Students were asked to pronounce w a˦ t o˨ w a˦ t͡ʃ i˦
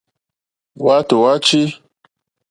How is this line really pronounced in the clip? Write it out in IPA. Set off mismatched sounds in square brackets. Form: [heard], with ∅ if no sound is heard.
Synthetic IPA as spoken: w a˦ t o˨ w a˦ t͡ʃ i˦